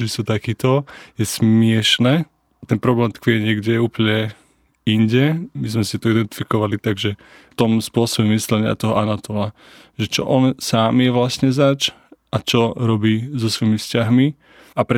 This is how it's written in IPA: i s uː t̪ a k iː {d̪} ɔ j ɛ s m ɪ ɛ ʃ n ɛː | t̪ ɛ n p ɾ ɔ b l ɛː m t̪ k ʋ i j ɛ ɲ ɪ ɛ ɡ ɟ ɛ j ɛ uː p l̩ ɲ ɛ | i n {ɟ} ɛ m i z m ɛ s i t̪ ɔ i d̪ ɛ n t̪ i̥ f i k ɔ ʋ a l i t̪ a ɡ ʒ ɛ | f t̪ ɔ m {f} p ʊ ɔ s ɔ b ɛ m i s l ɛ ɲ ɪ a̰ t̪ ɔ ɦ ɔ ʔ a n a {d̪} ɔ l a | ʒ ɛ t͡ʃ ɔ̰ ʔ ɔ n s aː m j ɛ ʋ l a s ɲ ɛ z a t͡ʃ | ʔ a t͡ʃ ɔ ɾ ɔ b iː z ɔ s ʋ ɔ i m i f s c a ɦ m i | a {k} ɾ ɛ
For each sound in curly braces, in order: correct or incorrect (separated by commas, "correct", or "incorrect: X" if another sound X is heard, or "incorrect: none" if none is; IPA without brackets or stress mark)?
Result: incorrect: t̪, correct, incorrect: s, incorrect: t̪, incorrect: p